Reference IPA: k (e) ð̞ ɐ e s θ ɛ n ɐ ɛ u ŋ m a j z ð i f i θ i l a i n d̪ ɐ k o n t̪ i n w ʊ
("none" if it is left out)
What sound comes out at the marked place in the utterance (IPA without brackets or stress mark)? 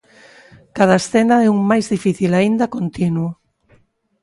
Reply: a